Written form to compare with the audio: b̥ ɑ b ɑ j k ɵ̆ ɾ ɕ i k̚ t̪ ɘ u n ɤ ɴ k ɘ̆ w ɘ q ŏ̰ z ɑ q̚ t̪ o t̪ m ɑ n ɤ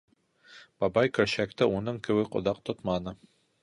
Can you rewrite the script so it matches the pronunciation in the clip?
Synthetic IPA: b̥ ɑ b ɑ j k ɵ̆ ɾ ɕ æ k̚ t̪ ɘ u n ɤ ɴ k ɘ̆ w ɘ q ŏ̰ ð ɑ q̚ t̪ o t̪ m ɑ n ɤ